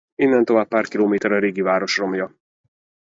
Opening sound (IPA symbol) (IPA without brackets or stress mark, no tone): i